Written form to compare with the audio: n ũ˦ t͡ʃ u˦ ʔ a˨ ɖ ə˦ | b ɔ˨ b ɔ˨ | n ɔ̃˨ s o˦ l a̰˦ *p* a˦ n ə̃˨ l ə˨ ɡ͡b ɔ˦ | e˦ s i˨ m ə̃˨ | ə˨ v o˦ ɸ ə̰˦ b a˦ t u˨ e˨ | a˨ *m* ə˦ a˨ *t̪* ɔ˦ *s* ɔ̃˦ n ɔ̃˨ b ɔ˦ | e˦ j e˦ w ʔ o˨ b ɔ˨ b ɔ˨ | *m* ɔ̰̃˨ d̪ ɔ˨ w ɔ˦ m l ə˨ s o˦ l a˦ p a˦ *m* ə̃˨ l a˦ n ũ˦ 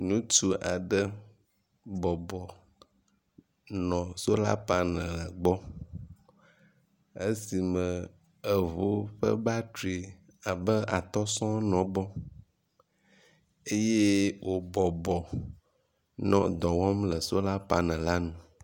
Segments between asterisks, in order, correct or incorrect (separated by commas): correct, incorrect, correct, correct, incorrect, incorrect